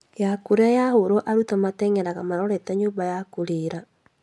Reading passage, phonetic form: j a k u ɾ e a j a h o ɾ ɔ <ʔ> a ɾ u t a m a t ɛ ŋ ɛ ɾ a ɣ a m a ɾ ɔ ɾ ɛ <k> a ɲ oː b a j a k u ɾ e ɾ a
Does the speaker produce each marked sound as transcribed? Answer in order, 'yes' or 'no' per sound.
yes, no

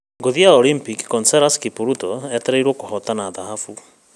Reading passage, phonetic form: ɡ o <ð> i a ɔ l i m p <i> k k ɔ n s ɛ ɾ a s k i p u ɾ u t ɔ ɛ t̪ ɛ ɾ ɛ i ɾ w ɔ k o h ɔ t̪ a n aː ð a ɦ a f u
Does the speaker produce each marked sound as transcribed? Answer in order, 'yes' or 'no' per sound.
yes, yes

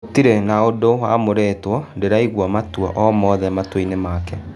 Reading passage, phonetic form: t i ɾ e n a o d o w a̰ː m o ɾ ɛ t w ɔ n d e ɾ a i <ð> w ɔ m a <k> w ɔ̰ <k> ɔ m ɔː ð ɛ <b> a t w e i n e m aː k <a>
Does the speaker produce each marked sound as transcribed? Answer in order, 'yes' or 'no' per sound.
no, no, no, no, no

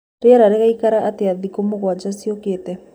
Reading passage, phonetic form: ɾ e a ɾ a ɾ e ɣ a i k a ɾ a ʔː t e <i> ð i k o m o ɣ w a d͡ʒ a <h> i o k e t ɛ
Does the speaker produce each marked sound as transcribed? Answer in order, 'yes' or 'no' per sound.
no, no

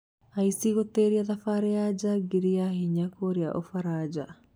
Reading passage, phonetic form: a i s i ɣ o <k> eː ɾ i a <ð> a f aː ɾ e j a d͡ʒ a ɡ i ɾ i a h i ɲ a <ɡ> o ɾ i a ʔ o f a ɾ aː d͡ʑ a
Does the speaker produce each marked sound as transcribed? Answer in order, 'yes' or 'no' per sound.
no, yes, no

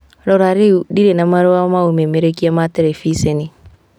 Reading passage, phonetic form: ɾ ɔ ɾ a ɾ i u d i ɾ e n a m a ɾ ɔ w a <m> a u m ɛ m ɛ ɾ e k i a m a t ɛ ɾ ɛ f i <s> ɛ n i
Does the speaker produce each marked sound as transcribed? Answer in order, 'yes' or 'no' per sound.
yes, yes

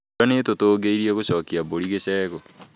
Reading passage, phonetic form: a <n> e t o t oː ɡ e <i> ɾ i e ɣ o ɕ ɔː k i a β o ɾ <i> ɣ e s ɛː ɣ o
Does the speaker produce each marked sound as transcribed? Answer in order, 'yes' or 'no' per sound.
yes, yes, yes

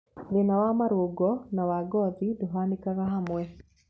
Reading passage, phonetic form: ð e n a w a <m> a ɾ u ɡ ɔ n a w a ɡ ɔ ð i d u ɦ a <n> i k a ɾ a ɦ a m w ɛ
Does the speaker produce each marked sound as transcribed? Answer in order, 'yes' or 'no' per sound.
yes, yes

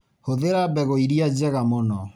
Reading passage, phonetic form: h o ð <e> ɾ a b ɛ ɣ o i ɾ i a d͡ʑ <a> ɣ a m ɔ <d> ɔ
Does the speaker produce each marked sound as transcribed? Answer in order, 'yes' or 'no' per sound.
yes, no, no

